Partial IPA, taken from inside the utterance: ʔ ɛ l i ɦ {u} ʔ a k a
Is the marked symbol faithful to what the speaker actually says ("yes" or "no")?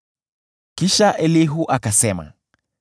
yes